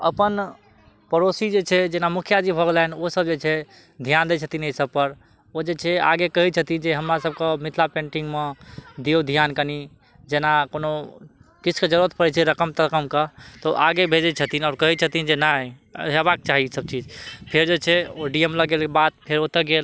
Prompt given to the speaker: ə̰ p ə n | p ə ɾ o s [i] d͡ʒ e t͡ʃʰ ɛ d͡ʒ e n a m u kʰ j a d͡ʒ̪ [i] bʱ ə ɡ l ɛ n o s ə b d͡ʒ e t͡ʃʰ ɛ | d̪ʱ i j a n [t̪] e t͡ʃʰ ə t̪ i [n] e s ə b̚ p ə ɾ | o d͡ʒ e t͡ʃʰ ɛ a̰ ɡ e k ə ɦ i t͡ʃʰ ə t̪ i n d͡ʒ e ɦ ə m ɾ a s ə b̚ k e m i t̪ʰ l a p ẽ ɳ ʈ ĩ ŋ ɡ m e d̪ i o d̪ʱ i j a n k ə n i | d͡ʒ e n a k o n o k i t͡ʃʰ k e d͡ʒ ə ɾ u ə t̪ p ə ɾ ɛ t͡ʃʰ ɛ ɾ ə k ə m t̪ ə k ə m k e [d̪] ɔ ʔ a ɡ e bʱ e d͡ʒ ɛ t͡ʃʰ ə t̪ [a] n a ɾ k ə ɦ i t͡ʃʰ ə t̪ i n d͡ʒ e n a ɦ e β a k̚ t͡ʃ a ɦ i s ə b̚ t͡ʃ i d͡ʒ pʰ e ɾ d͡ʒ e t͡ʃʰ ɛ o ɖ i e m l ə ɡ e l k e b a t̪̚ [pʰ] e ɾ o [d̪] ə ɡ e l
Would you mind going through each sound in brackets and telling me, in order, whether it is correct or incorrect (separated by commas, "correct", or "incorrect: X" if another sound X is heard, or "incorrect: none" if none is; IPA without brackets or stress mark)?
correct, correct, incorrect: d̪, correct, incorrect: t̪, incorrect: i, correct, incorrect: t̪